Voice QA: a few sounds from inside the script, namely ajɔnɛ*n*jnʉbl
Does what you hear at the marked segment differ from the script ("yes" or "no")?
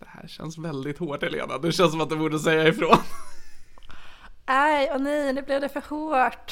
yes